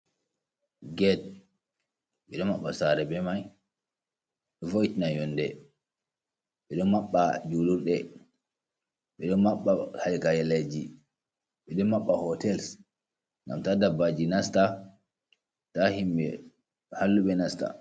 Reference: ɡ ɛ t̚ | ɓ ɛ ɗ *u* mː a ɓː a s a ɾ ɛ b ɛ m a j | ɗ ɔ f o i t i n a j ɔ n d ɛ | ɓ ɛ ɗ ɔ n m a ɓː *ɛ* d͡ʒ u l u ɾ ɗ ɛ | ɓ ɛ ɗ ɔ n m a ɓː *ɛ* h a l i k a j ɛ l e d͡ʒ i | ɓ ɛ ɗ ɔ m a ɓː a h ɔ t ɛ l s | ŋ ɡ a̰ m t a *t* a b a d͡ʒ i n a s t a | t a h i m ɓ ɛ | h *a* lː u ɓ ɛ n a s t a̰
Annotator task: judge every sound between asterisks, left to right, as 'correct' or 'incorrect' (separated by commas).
incorrect, incorrect, incorrect, incorrect, correct